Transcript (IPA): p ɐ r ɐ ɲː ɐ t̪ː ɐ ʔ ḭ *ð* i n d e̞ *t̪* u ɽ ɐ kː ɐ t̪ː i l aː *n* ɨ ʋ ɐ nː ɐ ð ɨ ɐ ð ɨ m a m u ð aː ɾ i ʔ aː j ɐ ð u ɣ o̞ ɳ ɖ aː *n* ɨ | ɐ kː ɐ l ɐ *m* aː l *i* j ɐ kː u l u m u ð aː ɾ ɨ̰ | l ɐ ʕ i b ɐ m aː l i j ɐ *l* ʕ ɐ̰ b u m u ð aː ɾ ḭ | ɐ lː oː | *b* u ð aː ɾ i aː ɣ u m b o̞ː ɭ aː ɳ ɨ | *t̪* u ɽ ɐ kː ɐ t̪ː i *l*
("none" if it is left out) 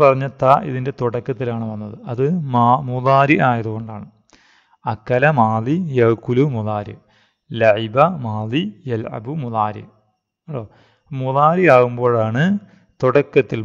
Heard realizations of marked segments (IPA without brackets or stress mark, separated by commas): ð, t̪, ɳ, ɳ, m, i, l, m, t̪, l